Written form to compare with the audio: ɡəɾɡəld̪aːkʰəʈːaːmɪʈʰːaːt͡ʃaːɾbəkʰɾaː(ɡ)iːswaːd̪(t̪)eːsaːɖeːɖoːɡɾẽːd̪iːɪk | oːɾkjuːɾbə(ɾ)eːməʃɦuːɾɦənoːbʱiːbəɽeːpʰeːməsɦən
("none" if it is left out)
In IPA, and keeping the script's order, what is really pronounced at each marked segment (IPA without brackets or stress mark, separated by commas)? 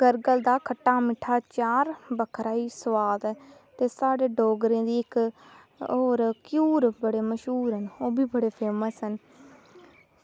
none, t̪, ɽ